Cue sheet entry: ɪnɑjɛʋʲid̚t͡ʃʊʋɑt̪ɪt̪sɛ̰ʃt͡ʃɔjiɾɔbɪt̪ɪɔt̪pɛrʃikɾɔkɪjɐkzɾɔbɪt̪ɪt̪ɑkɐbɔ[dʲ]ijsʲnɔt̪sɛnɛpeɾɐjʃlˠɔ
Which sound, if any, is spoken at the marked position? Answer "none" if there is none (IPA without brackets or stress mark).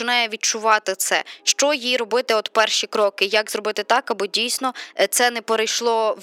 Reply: dʲ